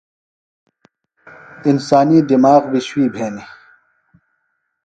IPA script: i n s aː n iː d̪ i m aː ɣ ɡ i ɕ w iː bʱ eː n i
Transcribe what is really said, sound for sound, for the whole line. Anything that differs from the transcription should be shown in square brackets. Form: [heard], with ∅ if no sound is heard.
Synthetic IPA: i n s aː n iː d̪ i m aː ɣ [b] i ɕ w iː bʱ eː n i